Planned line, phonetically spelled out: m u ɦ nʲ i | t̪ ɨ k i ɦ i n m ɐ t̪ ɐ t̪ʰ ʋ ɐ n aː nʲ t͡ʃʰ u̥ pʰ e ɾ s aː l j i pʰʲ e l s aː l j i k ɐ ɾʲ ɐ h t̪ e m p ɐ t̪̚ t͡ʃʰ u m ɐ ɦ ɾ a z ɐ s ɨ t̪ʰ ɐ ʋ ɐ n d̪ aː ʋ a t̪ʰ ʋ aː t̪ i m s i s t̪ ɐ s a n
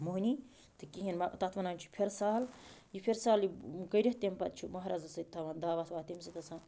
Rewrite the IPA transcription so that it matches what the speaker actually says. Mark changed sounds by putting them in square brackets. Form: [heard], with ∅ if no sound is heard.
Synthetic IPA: m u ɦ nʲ i | t̪ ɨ k i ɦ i n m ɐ t̪ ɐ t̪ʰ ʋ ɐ n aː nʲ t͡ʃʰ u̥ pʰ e ɾ s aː l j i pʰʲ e [ɾ] s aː l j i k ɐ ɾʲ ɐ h t̪ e m p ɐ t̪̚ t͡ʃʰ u m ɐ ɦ ɾ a z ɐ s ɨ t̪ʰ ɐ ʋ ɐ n d̪ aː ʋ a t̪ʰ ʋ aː t̪ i m s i [∅] t̪ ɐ s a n